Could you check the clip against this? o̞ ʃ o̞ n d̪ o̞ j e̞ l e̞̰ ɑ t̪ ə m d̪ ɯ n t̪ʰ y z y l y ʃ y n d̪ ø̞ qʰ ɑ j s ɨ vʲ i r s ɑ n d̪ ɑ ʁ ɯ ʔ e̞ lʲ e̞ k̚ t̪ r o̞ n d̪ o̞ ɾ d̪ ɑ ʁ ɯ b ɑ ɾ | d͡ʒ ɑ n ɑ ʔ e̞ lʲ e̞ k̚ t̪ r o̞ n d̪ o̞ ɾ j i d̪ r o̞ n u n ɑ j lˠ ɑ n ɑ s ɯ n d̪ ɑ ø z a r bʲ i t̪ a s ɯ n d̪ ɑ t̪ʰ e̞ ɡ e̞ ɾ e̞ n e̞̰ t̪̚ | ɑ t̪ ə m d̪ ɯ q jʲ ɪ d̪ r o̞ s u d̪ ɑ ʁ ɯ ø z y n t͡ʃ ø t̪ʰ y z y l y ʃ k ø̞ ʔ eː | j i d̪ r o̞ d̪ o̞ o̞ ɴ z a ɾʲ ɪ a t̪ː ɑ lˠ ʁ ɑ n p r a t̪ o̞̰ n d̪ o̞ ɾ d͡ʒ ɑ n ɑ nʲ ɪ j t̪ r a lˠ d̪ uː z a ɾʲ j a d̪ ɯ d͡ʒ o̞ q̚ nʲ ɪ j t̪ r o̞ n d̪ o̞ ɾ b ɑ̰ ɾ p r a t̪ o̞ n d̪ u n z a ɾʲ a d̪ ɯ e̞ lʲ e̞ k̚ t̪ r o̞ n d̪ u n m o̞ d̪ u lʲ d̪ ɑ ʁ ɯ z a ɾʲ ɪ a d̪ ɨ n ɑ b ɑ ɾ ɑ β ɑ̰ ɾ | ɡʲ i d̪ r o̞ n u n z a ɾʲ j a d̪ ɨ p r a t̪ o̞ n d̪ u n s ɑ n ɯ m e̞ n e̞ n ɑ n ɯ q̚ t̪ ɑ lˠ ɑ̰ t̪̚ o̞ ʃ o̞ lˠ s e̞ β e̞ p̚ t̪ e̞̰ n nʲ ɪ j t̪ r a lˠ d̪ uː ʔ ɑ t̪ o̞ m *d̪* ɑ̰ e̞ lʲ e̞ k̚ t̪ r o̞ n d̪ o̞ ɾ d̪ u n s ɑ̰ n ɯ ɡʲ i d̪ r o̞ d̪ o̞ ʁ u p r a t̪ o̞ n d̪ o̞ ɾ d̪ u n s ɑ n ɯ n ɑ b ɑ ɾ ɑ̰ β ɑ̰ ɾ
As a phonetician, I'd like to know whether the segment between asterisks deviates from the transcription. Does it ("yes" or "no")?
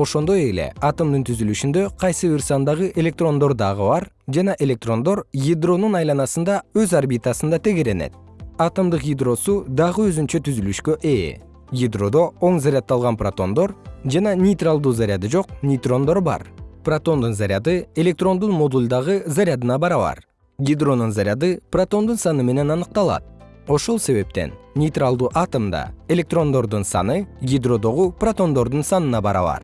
no